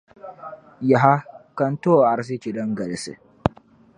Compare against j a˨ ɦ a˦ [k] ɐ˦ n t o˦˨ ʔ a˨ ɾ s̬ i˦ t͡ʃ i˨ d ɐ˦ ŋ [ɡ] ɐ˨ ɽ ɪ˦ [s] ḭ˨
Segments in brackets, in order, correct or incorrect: correct, correct, correct

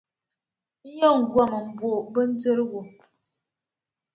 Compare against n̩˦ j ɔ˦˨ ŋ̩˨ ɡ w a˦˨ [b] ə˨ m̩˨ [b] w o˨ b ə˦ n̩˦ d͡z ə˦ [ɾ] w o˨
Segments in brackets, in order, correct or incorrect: incorrect, correct, correct

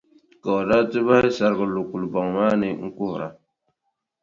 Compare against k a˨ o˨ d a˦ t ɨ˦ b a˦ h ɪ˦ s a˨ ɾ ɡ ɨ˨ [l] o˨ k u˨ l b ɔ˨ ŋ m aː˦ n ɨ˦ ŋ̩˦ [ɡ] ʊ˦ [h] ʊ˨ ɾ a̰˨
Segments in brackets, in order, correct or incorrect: correct, incorrect, correct

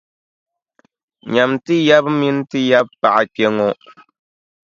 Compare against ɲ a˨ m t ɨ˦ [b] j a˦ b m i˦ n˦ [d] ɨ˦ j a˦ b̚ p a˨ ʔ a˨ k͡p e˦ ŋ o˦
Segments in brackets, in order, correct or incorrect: incorrect, incorrect

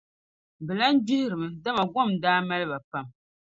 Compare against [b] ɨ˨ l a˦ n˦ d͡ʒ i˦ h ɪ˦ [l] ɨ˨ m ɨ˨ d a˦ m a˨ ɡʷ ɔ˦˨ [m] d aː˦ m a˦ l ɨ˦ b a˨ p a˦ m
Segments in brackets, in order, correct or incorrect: correct, incorrect, correct

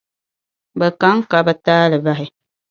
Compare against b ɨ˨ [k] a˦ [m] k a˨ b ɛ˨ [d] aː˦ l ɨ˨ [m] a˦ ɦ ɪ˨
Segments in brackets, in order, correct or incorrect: correct, incorrect, incorrect, incorrect

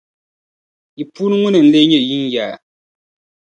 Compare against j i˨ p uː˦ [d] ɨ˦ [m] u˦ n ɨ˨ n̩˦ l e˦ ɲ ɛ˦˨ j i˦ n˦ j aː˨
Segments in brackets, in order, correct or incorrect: incorrect, incorrect

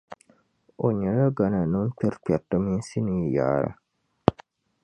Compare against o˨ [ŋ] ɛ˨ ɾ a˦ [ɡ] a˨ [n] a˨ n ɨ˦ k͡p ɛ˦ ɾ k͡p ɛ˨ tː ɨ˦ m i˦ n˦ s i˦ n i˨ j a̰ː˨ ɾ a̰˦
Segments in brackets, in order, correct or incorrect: incorrect, correct, correct

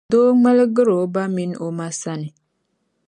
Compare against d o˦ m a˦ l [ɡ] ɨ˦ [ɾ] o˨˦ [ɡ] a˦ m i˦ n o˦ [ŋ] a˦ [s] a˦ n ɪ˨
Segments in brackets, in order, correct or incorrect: correct, correct, incorrect, incorrect, correct

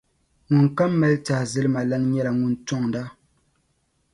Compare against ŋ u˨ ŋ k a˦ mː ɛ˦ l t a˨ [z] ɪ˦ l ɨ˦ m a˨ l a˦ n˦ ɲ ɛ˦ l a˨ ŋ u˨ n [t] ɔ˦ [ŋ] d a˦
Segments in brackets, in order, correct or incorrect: correct, correct, correct

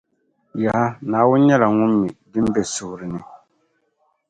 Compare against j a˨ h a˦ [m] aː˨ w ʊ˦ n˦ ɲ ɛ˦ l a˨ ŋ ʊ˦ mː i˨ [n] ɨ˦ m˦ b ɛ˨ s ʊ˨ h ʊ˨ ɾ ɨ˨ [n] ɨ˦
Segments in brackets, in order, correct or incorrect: incorrect, incorrect, correct

